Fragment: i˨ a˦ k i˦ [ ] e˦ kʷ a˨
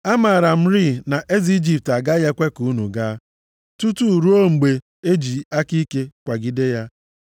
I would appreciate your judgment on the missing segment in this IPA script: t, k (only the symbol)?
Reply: k